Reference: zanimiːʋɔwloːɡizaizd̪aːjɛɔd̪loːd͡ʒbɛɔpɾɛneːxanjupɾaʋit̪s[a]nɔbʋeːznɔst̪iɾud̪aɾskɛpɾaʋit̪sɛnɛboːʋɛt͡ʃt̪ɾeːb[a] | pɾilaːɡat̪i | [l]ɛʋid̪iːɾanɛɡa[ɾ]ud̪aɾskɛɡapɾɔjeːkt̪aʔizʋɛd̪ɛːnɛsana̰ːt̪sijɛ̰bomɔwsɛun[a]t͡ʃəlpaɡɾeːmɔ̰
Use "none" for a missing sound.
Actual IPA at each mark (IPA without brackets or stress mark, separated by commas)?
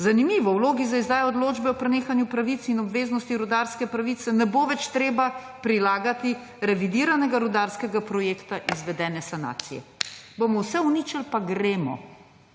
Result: i, a, ɾ, ɾ, i